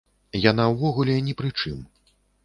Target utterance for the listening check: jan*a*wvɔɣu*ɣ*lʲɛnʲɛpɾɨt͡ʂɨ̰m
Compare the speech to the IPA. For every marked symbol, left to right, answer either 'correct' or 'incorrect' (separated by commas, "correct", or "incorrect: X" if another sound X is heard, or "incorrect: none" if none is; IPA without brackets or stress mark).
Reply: correct, incorrect: none